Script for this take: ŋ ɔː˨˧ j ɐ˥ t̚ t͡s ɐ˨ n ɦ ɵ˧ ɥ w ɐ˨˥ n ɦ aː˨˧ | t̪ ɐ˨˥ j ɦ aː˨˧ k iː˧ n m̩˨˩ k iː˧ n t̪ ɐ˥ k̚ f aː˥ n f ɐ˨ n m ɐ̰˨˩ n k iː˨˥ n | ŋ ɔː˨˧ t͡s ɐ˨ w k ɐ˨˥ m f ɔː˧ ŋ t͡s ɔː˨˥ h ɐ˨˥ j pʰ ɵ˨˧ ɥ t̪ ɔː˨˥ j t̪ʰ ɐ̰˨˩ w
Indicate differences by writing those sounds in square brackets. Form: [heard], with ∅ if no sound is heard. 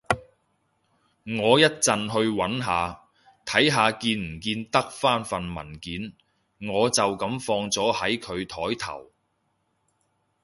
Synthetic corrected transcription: ŋ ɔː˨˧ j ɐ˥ t̚ t͡s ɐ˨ n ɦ ɵ˧ ɥ w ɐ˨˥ n ɦ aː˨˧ | [t̪ʰ] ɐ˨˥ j ɦ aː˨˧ k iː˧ n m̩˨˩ k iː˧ n t̪ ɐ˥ k̚ f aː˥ n f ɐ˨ n m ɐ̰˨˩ n k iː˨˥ n | ŋ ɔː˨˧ t͡s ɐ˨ w k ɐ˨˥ m f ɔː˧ ŋ t͡s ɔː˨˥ h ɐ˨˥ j [kʰ] ɵ˨˧ ɥ [t̪ʰ] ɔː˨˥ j t̪ʰ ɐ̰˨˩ w